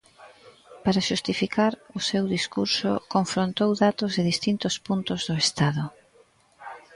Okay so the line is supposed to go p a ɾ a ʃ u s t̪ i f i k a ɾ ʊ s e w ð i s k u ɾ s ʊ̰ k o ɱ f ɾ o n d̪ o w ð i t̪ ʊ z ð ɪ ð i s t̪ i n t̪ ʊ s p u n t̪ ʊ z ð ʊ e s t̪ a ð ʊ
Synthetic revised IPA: p a ɾ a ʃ u s t̪ i f i k a ɾ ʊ s e w ð i s k u ɾ s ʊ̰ k o ɱ f ɾ o n t̪ o w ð a t̪ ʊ z ð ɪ ð i s t̪ i n t̪ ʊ s p u n t̪ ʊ z ð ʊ e s t̪ a ð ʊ